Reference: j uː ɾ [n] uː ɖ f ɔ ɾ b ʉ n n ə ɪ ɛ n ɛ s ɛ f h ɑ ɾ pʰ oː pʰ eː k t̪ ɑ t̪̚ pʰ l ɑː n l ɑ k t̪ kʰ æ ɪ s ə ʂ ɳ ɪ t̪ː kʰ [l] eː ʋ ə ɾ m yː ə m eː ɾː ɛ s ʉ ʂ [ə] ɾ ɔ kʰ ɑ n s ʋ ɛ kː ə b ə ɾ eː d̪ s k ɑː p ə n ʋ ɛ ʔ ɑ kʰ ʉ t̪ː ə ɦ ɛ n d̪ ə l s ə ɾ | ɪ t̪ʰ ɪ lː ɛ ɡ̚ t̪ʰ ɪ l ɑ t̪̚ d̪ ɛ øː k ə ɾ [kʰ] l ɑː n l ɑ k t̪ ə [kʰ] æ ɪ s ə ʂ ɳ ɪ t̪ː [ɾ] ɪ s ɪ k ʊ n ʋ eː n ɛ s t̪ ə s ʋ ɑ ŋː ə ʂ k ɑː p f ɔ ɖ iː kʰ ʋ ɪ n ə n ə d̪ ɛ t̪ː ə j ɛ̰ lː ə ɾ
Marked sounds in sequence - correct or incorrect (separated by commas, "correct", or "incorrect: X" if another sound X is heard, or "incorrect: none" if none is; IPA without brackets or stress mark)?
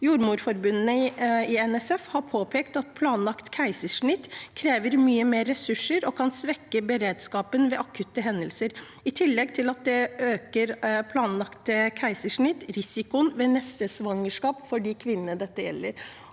incorrect: m, incorrect: ɾ, correct, incorrect: pʰ, correct, correct